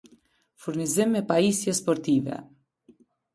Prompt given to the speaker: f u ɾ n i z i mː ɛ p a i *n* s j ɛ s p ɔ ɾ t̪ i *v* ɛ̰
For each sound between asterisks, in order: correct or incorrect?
incorrect, correct

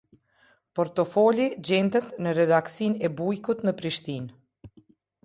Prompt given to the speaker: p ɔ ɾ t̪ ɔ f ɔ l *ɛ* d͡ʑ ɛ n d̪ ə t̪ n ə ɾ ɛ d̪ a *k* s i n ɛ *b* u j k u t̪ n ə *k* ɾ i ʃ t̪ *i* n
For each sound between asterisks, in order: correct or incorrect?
incorrect, correct, correct, incorrect, correct

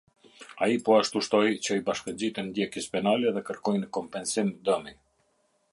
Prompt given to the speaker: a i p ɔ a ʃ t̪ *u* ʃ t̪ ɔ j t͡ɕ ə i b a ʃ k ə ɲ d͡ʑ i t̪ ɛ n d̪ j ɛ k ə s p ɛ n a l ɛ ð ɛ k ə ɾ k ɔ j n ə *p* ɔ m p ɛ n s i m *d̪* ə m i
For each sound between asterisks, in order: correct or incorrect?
correct, incorrect, correct

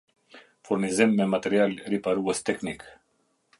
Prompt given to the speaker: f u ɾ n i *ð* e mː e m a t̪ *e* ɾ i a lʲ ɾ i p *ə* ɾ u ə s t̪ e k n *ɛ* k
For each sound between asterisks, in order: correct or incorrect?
incorrect, correct, incorrect, incorrect

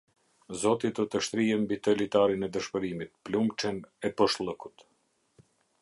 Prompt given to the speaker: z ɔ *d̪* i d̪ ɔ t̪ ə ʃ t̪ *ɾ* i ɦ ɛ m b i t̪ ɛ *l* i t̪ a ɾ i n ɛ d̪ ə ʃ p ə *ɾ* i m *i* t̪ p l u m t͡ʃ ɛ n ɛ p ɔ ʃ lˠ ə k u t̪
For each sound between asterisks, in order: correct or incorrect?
incorrect, correct, correct, correct, correct

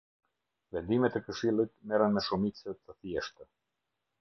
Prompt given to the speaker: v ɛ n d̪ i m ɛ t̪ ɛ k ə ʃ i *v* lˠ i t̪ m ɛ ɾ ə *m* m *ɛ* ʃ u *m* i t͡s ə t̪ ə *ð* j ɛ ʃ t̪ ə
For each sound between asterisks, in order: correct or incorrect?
incorrect, incorrect, correct, correct, incorrect

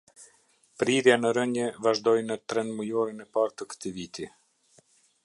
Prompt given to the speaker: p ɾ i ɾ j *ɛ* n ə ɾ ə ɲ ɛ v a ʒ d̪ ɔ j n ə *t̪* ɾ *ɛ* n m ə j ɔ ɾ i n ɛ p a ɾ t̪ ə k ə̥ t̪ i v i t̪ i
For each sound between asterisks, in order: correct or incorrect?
incorrect, correct, correct

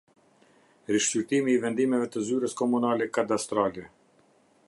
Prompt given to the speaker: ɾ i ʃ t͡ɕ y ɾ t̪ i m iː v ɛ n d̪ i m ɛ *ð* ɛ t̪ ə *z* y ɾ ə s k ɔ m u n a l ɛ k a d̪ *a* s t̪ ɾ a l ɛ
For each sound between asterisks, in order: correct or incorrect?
incorrect, correct, correct

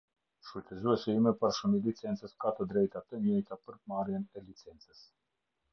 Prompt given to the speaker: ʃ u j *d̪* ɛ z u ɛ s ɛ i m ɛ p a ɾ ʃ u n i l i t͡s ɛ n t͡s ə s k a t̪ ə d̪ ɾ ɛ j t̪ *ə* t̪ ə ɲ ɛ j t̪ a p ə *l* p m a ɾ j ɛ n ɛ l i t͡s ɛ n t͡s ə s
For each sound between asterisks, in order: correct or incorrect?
incorrect, incorrect, incorrect

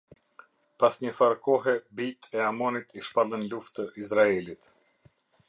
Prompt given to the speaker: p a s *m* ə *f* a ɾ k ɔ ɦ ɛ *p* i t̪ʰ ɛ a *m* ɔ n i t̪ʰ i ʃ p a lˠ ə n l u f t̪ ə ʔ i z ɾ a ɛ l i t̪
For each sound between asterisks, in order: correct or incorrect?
incorrect, correct, incorrect, correct

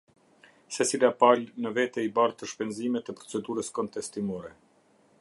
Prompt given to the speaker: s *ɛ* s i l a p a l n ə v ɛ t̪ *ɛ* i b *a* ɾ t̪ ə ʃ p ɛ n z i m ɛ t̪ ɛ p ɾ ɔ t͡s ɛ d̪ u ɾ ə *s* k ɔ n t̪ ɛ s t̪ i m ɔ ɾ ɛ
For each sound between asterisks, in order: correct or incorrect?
correct, correct, correct, correct

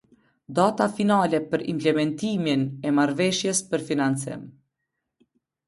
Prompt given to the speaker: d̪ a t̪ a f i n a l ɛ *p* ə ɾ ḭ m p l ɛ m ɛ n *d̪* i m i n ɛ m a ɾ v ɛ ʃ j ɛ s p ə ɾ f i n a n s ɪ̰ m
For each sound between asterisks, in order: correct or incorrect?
correct, incorrect

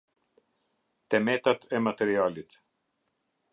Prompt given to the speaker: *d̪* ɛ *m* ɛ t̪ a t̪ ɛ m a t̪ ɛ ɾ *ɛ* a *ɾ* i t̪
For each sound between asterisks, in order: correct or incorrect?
incorrect, correct, incorrect, incorrect

